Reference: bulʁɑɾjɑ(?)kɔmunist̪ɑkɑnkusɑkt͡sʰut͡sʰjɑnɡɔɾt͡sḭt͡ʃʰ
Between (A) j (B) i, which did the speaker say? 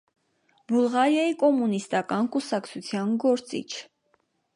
B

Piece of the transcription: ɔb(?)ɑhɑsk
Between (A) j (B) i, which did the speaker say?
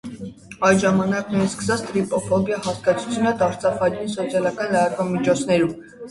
A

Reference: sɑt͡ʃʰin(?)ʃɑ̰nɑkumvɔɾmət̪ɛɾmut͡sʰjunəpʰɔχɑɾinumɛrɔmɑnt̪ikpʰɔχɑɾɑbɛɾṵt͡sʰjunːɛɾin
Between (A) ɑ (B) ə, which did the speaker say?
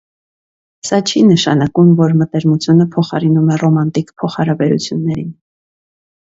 B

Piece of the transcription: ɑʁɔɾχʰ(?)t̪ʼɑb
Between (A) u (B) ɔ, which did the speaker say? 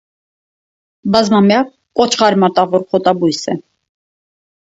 B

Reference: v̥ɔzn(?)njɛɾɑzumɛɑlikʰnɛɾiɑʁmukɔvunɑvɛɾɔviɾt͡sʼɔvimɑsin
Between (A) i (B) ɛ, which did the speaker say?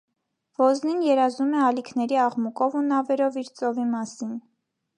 A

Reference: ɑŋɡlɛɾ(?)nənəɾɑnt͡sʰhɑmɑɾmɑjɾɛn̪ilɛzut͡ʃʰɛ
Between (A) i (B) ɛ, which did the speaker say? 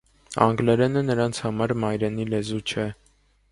B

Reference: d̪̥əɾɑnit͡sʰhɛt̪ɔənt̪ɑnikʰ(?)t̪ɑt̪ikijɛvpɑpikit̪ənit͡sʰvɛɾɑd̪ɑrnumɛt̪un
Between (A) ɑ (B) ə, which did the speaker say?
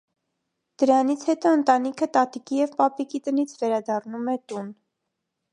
B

